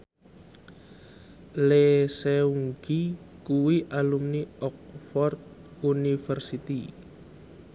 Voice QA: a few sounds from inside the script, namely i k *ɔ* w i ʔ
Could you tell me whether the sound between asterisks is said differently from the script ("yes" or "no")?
yes